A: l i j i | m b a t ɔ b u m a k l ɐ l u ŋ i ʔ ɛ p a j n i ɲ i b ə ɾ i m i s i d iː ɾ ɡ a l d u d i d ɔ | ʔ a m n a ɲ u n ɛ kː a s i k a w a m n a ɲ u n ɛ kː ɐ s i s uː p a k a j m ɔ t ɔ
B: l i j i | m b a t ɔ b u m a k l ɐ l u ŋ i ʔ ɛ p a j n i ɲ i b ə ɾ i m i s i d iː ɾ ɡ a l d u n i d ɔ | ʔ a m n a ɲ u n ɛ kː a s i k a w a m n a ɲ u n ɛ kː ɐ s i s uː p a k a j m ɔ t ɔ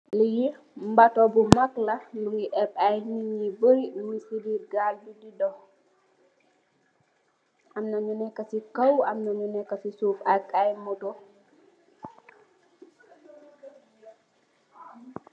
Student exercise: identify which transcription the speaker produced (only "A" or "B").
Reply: A